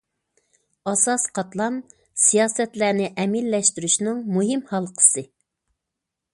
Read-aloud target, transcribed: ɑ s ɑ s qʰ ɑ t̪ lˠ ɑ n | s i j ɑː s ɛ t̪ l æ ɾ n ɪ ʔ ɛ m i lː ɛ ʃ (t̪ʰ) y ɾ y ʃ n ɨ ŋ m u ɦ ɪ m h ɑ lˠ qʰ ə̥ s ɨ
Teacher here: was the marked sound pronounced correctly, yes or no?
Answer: no